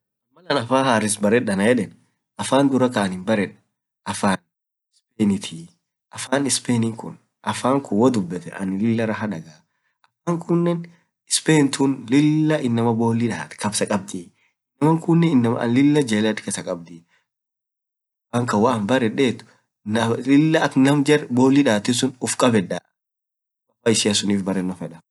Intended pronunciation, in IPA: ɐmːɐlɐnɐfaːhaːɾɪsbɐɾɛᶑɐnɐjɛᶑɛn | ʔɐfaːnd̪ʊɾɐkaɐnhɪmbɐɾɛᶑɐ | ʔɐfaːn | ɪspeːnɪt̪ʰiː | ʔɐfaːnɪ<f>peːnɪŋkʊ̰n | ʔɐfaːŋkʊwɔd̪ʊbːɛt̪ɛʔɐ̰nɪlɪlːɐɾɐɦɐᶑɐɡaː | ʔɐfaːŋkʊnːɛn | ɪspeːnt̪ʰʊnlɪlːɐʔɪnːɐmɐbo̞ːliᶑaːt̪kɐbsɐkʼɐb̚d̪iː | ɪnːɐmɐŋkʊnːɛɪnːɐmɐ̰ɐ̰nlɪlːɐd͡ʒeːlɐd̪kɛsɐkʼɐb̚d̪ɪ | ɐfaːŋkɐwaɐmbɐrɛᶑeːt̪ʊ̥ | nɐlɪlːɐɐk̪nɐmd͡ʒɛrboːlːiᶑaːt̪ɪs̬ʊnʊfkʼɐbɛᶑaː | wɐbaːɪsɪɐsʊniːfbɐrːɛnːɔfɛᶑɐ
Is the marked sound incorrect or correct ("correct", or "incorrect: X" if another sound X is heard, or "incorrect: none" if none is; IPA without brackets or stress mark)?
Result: incorrect: s